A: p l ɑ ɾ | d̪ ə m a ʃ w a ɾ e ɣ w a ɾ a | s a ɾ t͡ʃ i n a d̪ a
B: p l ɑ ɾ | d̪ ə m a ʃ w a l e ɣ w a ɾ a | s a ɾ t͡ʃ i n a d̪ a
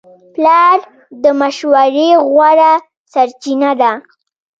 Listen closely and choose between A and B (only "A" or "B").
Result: A